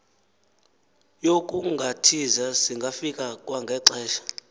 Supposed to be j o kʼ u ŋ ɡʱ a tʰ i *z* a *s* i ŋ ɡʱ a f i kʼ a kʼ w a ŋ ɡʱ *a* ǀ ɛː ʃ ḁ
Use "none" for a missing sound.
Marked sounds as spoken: z, s, ɛ

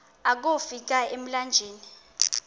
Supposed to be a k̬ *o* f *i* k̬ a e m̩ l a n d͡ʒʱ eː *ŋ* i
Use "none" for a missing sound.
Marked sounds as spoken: o, i, n

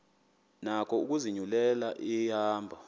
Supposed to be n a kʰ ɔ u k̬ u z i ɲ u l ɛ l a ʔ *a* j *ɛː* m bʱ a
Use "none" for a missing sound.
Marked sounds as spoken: i, aː

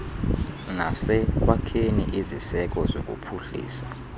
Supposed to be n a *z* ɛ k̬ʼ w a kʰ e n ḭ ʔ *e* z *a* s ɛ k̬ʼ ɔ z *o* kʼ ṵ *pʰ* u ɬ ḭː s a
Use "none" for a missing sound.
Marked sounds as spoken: s, i, i, o, pʰ

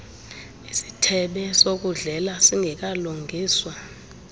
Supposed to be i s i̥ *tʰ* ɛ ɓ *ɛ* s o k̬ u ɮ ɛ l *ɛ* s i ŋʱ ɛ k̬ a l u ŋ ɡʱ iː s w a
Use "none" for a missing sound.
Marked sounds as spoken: tʰ, ɛ, a

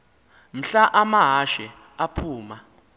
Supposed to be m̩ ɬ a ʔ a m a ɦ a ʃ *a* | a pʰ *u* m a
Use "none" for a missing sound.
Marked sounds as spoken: ɛ, uː

